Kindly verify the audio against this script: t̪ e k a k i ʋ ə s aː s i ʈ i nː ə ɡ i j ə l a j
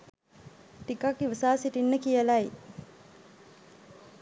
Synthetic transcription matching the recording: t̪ i k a k i ʋ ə s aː s i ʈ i nː ə k i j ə l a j

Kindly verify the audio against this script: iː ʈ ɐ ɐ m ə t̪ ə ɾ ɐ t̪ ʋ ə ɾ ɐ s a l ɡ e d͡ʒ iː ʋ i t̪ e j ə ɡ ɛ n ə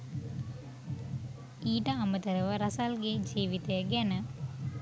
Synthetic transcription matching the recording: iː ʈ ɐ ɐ m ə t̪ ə ɾ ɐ ʋ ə ɾ ɐ s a l ɡ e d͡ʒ iː ʋ i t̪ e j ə ɡ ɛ n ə

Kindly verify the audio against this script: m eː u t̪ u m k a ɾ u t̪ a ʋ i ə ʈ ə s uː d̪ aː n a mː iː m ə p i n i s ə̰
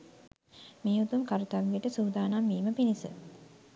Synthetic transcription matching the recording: m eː u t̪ u m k a ɾ u t̪ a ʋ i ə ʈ ə s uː d̪ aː n a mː iː m ə p i n i s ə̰

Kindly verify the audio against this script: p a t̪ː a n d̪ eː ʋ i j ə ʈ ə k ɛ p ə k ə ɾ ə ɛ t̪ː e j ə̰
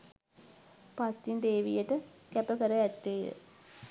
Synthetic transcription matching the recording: p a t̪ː i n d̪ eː ʋ i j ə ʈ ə k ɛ p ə k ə ɾ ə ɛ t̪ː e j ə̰

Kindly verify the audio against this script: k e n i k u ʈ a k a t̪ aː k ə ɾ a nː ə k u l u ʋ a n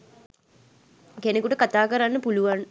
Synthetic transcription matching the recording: k e n e k u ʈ ə k a t̪ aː k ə ɾ a nː ə p u l u ʋ a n

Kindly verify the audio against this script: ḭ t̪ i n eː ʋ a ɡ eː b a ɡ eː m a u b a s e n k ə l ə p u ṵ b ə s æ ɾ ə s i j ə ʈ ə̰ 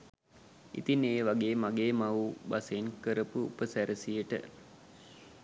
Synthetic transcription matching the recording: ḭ t̪ i n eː ʋ a ɡ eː m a ɡ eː m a u b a s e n k ə ɾ ə p u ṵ p ə s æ ɾ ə s i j ə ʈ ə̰

